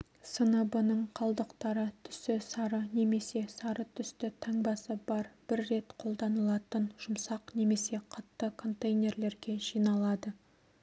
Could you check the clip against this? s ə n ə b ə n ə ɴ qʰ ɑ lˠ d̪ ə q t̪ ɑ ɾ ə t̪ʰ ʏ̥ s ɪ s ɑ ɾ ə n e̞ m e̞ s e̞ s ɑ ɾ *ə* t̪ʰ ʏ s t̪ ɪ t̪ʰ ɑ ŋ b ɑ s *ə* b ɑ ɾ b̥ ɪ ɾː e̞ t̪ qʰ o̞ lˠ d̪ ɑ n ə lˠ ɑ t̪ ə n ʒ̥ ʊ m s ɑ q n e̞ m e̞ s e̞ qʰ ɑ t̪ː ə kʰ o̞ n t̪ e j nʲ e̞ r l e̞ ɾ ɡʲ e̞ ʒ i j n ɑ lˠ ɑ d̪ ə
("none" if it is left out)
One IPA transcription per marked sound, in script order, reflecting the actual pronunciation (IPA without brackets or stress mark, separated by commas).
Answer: ə, ə